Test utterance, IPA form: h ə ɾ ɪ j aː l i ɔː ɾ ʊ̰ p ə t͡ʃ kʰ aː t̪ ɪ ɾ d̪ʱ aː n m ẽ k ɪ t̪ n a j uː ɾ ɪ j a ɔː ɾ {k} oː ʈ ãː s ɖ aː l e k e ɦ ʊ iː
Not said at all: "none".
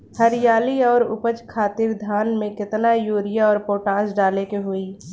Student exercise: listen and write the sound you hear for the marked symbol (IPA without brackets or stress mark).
p